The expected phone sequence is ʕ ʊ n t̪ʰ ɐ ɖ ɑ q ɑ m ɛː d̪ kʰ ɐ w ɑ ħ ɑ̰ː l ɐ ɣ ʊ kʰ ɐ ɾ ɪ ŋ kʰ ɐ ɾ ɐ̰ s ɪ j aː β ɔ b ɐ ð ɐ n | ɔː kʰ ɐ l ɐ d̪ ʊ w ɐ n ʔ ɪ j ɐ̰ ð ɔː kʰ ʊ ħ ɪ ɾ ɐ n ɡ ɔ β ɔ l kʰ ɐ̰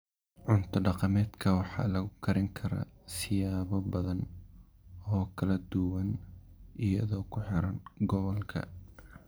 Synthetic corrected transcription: ʕ ʊ n t̪ʰ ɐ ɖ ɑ q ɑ m ɛː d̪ kʰ ɐ w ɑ ħ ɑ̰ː l ɐ ɣ ʊ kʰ ɐ ɾ ɪ ŋ kʰ ɐ ɾ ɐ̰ s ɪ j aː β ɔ b ɐ ð ɐ n | ɔː kʰ ɐ l ɐ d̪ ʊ w ɐ n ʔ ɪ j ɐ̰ ð ɔː kʰ ʊ ħ ɪ ɾ ɐ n ɡ ɔ β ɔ l kʰ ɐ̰